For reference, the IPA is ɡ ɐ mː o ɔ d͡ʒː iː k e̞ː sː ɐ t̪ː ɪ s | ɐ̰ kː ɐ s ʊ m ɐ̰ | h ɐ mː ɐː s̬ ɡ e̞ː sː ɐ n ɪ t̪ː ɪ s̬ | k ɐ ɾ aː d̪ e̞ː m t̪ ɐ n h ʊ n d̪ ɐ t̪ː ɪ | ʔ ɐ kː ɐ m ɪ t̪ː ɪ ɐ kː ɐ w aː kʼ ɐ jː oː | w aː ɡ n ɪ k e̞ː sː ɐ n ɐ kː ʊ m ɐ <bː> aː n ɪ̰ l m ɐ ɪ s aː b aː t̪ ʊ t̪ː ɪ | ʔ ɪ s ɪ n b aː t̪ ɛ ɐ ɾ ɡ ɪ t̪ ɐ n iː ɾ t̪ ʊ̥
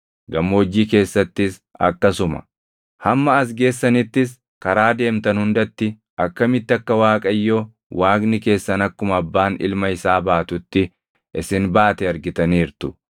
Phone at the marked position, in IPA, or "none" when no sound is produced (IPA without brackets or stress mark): bː